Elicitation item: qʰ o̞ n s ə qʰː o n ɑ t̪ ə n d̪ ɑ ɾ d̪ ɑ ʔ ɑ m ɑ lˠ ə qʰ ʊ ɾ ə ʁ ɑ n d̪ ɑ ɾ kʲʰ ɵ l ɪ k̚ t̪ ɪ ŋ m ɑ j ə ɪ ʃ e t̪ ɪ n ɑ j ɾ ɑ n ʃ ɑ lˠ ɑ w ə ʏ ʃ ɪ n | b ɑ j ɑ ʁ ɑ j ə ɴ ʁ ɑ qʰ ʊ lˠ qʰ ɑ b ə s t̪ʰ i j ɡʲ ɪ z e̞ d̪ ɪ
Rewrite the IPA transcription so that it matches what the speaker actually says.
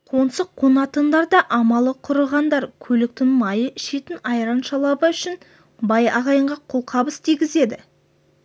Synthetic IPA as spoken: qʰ o̞ n s ə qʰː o n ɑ t̪ ə n d̪ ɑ ɾ d̪ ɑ ʔ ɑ m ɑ lˠ ə qʰ ʊ ɾ ə ʁ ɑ n d̪ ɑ ɾ kʲʰ ɵ l ɪ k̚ t̪ ɪ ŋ m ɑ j ə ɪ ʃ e t̪ ɪ n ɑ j ɾ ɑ n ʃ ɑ lˠ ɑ b ə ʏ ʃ ɪ n | b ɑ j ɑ ʁ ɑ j ə ɴ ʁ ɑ qʰ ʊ lˠ qʰ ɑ b ə s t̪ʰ i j ɡʲ ɪ z e̞ d̪ ɪ